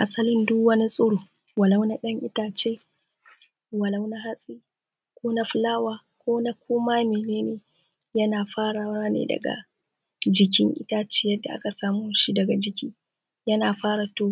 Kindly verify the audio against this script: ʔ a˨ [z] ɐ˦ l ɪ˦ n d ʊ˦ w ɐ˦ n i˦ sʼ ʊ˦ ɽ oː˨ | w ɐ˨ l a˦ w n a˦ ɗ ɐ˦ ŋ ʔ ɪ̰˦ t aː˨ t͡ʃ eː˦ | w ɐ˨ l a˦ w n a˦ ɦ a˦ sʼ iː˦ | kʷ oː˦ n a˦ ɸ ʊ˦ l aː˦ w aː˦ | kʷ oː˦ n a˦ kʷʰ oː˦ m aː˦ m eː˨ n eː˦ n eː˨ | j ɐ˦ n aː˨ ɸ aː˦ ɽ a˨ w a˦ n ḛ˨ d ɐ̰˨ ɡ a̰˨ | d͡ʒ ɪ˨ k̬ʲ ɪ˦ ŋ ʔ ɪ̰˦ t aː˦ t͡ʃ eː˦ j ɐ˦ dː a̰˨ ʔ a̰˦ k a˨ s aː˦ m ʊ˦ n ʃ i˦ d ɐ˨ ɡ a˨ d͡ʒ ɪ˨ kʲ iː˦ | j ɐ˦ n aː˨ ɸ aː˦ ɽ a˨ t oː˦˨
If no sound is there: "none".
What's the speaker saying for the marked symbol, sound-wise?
s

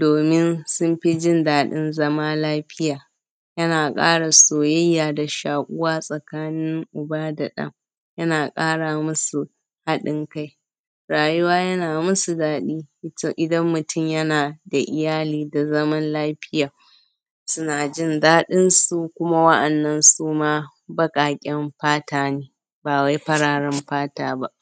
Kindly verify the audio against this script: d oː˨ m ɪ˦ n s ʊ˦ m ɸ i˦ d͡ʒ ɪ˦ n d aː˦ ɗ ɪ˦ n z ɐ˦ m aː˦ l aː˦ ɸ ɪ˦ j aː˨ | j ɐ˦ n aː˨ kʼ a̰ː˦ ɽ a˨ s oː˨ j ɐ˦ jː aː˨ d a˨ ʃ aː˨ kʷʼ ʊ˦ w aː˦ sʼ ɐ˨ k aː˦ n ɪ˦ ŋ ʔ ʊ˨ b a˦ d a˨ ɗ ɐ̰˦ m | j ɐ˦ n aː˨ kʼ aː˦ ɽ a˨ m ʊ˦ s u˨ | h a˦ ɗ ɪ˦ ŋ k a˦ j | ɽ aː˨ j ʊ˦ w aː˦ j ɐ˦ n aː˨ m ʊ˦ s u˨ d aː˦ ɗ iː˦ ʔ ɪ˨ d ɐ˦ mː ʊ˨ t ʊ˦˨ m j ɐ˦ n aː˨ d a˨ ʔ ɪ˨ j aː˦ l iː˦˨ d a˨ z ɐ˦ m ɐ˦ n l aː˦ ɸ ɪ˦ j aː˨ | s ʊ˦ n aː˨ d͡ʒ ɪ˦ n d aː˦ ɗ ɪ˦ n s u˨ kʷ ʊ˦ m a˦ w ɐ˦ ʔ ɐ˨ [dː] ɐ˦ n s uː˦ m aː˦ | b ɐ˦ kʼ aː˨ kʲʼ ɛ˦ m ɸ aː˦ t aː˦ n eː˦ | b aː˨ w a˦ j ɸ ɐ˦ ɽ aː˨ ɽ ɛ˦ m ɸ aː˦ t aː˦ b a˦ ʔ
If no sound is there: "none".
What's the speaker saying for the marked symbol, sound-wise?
nː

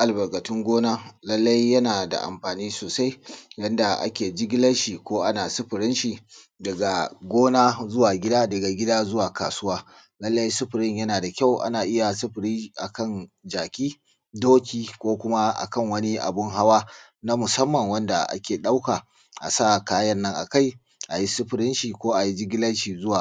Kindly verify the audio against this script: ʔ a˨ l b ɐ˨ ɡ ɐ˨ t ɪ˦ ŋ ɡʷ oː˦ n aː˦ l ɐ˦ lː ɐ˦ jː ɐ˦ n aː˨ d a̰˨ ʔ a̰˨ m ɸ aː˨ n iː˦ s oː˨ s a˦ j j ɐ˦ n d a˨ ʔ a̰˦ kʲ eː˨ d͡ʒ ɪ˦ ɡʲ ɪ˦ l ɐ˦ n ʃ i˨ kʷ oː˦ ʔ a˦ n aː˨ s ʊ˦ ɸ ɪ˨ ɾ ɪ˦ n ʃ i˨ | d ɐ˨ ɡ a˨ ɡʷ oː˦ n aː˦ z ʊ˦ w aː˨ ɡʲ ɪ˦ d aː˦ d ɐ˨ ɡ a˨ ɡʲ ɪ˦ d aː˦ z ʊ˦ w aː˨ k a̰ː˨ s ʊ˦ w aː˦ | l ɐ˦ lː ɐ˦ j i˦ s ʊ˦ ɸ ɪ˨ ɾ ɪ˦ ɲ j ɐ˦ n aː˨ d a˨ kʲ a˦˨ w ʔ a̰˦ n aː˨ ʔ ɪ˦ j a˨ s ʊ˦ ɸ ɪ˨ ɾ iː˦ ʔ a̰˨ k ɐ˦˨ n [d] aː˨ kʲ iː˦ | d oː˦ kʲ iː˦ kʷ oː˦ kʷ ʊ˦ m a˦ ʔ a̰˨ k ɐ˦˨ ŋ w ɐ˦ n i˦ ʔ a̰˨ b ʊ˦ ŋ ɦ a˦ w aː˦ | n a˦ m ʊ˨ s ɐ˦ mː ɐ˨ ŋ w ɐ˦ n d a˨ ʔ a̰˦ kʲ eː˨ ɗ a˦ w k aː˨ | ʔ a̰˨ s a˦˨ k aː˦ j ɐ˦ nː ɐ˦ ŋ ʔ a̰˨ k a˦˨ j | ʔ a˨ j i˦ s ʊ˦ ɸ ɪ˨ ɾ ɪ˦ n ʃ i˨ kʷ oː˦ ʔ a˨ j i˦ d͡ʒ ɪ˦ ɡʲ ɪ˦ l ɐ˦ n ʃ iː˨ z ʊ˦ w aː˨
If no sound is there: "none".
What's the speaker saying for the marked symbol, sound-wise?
d͡ʒ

